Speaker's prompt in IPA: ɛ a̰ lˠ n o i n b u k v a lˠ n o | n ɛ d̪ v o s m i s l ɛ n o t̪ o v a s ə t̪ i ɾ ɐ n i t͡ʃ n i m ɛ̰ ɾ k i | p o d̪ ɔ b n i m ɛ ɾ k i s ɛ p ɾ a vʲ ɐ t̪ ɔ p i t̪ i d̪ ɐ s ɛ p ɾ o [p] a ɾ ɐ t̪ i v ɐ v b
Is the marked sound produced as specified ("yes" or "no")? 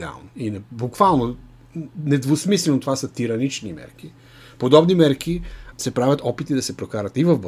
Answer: no